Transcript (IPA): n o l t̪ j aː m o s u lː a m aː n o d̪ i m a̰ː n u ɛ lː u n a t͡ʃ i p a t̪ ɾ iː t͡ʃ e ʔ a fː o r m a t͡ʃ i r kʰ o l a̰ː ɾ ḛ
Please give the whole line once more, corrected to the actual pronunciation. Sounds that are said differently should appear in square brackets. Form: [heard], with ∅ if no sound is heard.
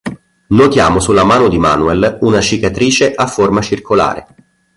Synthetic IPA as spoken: n o [∅] t̪ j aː m o s u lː a m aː n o d̪ i m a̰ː n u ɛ [l] u n a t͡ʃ i [k] a t̪ ɾ iː t͡ʃ e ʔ a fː o r m a t͡ʃ i r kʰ o l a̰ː ɾ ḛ